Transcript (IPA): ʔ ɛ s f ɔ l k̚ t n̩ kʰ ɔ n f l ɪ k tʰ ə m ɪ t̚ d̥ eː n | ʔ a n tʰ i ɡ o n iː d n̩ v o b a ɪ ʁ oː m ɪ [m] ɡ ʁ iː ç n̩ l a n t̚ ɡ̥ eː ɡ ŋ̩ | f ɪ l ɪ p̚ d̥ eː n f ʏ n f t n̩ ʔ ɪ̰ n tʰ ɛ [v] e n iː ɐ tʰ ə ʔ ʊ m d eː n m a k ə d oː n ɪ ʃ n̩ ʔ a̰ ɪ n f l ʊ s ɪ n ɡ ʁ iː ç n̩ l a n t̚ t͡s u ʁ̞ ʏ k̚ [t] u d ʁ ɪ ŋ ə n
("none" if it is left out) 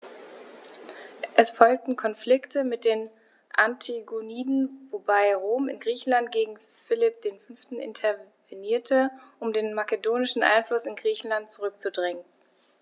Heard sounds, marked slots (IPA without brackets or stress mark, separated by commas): n, v, t͡s